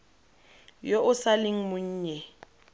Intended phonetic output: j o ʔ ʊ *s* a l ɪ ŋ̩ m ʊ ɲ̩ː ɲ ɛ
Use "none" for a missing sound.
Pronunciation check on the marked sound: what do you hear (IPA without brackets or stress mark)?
s